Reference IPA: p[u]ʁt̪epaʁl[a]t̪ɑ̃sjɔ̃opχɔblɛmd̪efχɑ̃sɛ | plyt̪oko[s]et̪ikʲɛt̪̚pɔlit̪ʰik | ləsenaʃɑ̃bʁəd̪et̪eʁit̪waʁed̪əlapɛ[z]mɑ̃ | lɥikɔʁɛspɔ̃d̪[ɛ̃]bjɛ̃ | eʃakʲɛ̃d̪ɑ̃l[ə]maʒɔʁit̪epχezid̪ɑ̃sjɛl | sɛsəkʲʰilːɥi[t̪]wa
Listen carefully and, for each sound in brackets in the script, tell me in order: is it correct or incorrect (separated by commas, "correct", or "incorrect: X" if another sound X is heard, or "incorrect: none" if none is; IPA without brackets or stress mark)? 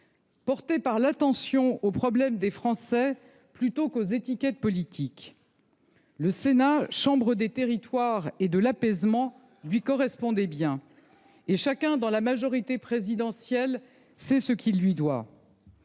incorrect: ɔ, correct, incorrect: z, correct, incorrect: ɛ, incorrect: a, incorrect: d̪